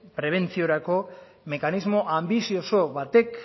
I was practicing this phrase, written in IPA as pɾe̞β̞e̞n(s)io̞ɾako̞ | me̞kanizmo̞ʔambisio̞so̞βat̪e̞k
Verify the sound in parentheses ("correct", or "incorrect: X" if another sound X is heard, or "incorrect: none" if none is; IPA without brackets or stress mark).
incorrect: t͡s